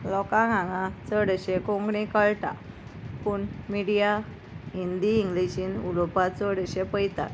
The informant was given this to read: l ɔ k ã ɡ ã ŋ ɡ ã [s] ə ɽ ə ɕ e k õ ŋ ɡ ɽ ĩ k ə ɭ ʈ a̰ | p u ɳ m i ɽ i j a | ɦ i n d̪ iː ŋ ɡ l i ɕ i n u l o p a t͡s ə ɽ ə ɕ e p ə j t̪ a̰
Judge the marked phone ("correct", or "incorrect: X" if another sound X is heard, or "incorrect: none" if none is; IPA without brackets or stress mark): incorrect: t͡s